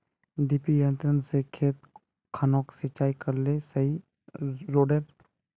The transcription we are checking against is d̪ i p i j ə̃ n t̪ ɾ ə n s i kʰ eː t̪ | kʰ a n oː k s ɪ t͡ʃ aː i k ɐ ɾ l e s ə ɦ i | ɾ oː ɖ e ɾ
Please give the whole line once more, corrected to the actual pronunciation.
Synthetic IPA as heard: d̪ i p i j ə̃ n t̪ ɾ ə n s e kʰ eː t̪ | kʰ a n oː k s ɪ t͡ʃ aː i k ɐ ɾ l e s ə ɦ i | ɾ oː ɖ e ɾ

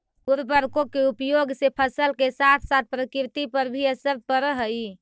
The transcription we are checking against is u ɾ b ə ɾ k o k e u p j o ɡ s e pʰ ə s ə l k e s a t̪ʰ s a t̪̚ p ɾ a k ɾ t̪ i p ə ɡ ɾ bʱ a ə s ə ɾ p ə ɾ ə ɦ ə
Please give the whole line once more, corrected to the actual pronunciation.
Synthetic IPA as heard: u ɾ b ə ɾ k o k e u p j o ɡ s e pʰ ə s ə l k e s a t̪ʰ s a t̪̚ p ɾ ə k ɾ t̪ i p ə ɾ bʱ i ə s ə ɾ p ə ɾ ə ɦ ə

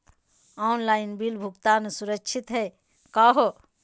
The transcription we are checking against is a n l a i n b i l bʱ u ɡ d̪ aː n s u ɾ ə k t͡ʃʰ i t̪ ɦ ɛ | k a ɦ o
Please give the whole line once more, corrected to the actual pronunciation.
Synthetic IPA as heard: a n l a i n b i l bʱ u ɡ t̪ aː n s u ɾ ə k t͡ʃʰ i t̪ ɦ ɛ | k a ɦ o

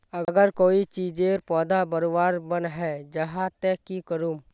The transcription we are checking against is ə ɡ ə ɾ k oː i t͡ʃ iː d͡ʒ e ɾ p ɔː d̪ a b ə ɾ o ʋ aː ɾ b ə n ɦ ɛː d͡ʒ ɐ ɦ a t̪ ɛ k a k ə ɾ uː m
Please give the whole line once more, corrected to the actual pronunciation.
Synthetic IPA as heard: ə ɡ ə ɾ k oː i t͡ʃ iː d͡ʒ e ɾ p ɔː d̪ a b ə ɾ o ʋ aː ɾ b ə n ɦ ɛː d͡ʒ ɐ ɦ a t̪ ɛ k i k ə ɾ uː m

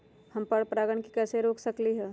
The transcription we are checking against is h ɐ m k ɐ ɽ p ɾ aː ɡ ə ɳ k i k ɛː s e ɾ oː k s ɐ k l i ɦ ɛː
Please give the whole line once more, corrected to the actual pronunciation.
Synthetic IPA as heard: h ɐ m p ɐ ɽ p ɾ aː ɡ ə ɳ k i k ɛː s e ɾ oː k s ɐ k l i ɦ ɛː

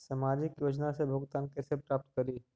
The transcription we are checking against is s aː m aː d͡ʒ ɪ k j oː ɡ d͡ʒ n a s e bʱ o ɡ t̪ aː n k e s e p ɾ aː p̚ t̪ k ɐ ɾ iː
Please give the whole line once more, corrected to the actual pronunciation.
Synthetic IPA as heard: s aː m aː d͡ʒ ɪ k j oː d͡ʒ n a s e bʱ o ɡ t̪ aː n k e s e p ɾ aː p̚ t̪ k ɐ ɾ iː

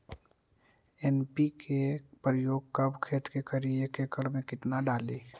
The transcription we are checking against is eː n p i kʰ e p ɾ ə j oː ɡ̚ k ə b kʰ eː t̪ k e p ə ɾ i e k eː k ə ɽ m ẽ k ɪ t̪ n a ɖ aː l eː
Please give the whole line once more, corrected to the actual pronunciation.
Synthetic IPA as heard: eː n p i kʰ e p ɾ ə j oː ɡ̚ k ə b kʰ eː t̪ k e k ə ɾ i e k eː k ə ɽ m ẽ k ɪ t̪ n a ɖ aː l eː

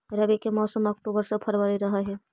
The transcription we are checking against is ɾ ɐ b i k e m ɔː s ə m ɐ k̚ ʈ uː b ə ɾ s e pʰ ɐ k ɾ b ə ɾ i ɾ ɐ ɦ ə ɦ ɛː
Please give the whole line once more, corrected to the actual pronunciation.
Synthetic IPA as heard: ɾ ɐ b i k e m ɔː s ə m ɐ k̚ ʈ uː b ə ɾ s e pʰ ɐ ɾ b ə ɾ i ɾ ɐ ɦ a ɦ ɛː

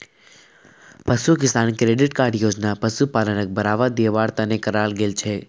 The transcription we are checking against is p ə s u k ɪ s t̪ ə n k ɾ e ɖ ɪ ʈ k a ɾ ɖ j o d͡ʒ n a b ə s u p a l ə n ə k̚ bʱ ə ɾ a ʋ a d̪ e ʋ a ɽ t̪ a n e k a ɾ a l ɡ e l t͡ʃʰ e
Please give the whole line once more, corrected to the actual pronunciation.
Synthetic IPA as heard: p ə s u k ɪ s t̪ a n k ɾ e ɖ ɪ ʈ k a ɾ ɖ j o d͡ʒ n a p ə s u p a l ə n ə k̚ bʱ ə ɾ a ʋ a d̪ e ʋ a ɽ t̪ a n e k ə ɾ a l ɡ e l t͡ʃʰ e

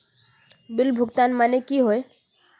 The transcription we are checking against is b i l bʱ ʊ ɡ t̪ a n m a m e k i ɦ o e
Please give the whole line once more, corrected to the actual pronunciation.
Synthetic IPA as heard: b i l bʱ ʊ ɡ t̪ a n m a n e k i ɦ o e

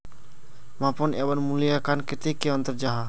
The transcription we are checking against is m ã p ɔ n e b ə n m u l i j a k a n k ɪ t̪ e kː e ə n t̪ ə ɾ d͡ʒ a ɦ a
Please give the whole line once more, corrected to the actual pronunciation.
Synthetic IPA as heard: m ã p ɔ n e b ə n m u l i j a k a n k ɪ t̪ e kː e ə n t̪ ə ɾ d͡ʒ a ɦ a

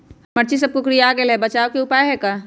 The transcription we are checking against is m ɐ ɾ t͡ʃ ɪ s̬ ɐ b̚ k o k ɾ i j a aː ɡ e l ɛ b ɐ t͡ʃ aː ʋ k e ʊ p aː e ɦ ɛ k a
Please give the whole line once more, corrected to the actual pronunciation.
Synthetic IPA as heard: m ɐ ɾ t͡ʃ i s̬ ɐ b̚ k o k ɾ i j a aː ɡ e l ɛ b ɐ t͡ʃ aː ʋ k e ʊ p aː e ɦ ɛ k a

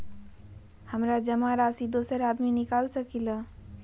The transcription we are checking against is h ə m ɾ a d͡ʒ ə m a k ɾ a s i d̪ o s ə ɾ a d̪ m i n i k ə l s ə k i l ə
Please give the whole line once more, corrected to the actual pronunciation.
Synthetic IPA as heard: h ə m ɾ a d͡ʒ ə m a ɾ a s i d̪ o s ə ɾ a d̪ m i n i k a l s ə k i l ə

